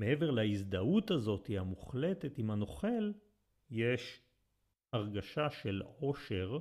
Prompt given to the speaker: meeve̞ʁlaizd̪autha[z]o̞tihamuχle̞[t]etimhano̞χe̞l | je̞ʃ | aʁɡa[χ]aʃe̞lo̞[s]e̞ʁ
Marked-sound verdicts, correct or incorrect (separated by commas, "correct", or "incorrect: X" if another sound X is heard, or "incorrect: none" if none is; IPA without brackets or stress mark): correct, correct, incorrect: ʃ, incorrect: ʃ